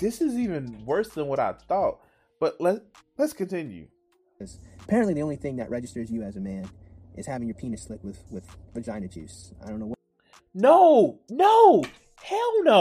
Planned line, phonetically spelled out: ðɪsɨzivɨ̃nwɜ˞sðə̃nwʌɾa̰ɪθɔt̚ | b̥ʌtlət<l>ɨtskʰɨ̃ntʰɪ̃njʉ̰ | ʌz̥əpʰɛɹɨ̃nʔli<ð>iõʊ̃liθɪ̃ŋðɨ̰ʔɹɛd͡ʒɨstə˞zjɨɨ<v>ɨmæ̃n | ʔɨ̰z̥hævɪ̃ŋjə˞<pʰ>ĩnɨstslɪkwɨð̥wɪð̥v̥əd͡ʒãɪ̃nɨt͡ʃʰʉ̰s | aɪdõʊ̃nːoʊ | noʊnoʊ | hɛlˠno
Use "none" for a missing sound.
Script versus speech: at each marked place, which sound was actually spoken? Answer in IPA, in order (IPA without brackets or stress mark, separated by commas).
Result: l, ð, z, pʰ